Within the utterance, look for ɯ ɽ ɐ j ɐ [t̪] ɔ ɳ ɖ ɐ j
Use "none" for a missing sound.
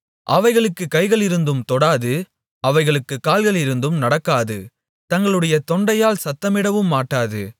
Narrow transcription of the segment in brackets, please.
t̪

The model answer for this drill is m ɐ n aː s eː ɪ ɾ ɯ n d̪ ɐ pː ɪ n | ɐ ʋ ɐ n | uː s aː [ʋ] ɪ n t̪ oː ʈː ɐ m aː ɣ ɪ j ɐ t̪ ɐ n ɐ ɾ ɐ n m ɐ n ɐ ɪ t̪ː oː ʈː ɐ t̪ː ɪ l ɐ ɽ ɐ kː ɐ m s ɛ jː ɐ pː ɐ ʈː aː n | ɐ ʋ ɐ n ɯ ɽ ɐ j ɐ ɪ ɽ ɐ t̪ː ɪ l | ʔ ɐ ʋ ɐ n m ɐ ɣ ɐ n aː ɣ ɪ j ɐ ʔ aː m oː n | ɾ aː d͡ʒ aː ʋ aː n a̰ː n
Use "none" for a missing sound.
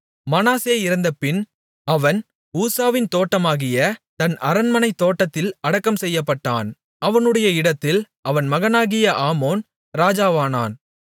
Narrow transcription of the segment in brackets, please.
ʋ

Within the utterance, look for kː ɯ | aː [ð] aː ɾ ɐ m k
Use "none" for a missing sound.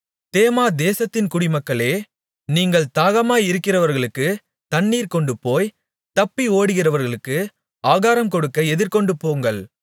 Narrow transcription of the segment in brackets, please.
ɣ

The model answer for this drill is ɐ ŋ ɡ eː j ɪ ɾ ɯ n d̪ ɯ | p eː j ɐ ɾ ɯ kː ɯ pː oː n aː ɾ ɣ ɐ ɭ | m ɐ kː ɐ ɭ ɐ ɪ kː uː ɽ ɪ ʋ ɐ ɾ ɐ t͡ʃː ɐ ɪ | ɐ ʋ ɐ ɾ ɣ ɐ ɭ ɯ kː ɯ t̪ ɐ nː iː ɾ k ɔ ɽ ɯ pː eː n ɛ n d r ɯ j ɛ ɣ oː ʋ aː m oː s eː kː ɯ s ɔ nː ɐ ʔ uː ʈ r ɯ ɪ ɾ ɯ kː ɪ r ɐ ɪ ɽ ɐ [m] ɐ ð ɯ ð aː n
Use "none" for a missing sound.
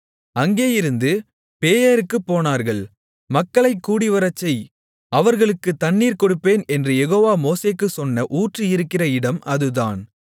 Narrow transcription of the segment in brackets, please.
m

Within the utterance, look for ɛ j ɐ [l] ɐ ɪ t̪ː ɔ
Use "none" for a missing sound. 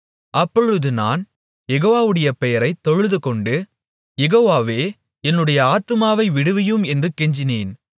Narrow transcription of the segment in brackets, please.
ɾ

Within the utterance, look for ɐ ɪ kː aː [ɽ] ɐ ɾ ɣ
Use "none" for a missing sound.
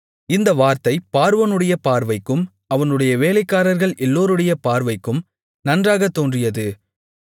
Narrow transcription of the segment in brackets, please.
ɾ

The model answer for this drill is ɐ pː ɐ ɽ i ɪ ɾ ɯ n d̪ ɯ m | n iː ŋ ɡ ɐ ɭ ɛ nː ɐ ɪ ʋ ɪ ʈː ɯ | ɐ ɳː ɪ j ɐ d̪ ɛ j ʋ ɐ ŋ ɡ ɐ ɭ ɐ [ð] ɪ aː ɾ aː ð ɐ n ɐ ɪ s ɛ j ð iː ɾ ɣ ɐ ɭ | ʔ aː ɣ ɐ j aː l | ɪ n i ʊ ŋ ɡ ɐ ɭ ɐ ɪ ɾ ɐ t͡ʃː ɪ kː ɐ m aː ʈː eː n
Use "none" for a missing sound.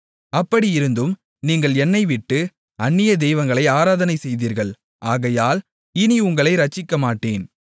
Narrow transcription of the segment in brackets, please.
none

